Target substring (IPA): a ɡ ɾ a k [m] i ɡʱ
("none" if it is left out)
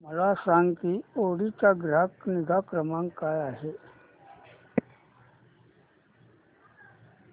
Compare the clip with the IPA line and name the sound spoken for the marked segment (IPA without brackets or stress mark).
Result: n